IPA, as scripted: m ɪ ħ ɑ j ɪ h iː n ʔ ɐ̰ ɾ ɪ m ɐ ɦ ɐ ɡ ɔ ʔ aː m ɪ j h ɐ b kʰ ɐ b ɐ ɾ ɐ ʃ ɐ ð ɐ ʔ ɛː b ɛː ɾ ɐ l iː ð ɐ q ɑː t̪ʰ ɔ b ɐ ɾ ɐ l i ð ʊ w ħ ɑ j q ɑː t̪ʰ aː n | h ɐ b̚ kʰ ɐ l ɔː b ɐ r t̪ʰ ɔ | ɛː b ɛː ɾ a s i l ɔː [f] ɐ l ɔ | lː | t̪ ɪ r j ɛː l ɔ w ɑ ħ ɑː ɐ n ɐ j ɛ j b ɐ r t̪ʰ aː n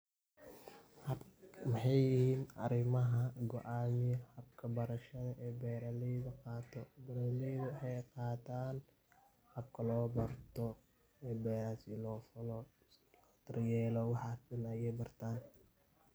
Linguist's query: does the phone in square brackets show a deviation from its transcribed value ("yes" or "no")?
no